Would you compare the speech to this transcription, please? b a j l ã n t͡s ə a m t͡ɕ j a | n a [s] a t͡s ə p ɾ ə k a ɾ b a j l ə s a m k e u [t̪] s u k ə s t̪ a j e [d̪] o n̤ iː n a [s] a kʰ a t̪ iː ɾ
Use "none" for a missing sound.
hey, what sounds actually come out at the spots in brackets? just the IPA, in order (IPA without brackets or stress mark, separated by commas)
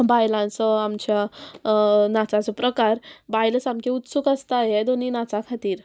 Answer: t͡s, t̪, d̪, t͡s